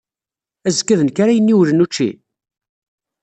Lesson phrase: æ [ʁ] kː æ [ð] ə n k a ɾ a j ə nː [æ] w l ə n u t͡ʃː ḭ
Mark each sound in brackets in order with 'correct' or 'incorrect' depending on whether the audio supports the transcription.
incorrect: z, correct, incorrect: i

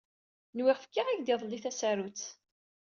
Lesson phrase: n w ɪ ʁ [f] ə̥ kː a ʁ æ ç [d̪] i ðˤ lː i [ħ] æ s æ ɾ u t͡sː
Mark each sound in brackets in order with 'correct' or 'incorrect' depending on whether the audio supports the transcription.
correct, correct, incorrect: θ

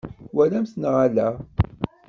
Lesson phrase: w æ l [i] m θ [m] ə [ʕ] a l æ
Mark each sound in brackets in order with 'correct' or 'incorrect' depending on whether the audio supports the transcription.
incorrect: æ, incorrect: n, incorrect: ʁ

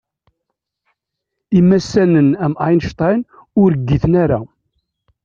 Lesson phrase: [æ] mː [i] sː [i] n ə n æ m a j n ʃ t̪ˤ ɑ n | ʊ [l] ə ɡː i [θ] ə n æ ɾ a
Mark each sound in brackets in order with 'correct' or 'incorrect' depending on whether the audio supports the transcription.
incorrect: i, incorrect: æ, incorrect: æ, incorrect: ɾ, correct

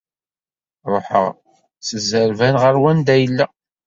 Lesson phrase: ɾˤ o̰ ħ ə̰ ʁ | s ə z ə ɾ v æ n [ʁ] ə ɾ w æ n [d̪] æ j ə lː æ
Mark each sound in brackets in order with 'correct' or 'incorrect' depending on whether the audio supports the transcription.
correct, correct

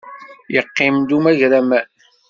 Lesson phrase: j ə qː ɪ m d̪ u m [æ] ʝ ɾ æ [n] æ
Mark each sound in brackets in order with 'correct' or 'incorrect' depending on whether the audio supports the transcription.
correct, incorrect: m

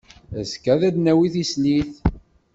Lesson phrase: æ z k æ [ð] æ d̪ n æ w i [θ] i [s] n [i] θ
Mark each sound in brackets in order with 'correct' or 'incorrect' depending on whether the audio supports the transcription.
correct, correct, correct, correct

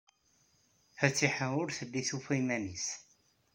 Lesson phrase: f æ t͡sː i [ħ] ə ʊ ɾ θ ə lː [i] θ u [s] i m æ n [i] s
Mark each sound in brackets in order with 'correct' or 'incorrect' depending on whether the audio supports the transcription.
correct, correct, incorrect: f, correct

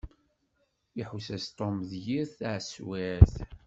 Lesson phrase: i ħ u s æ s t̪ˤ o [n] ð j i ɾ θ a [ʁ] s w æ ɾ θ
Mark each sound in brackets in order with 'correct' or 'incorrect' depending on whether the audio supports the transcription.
incorrect: m, incorrect: ʕ

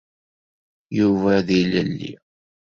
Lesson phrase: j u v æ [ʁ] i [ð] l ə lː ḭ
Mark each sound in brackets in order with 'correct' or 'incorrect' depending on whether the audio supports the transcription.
incorrect: ð, incorrect: none

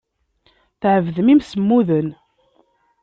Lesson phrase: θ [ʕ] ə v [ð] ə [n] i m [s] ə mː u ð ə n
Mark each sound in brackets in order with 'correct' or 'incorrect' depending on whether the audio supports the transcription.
correct, correct, incorrect: m, correct

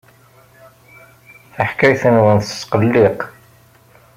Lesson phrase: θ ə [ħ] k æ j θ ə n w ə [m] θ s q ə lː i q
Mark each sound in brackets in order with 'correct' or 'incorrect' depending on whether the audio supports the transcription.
correct, incorrect: n

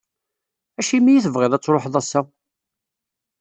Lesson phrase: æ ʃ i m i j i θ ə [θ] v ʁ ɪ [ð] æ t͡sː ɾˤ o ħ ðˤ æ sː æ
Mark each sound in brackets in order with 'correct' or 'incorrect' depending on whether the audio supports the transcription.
incorrect: none, correct

